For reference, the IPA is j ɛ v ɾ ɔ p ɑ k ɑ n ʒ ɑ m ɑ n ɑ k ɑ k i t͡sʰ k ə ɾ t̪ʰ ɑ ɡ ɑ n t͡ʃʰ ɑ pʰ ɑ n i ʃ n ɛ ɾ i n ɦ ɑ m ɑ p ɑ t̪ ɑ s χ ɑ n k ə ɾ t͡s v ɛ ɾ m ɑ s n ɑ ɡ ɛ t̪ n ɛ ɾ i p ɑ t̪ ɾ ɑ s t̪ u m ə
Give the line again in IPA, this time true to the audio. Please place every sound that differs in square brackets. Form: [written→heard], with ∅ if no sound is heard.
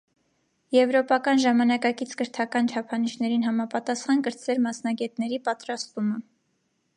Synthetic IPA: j ɛ v ɾ ɔ p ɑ k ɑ n ʒ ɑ m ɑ n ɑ k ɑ k i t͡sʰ k ə ɾ t̪ʰ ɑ [ɡ→k] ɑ n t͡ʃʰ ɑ pʰ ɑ n i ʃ n ɛ ɾ i n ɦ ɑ m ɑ p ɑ t̪ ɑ s χ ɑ n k ə ɾ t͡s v ɛ ɾ m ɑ s n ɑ ɡ ɛ t̪ n ɛ ɾ i p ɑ t̪ ɾ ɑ s t̪ u m ə